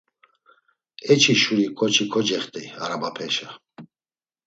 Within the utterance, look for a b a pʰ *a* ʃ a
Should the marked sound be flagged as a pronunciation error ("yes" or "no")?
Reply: yes